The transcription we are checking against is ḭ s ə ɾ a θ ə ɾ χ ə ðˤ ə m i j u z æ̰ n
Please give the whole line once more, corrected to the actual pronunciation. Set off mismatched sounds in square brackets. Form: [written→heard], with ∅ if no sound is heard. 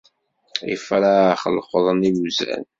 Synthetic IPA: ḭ [s→f] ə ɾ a [θ→χ] ə [ɾ→l] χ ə ðˤ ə [m→n] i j u z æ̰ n